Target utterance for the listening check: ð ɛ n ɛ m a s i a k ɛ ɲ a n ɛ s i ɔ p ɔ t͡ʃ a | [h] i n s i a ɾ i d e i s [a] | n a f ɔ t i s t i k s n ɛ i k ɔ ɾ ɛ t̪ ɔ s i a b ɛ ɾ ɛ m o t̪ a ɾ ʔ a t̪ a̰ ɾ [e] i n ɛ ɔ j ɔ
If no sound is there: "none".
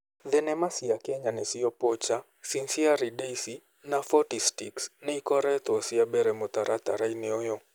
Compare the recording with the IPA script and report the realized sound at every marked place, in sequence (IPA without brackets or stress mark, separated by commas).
s, i, a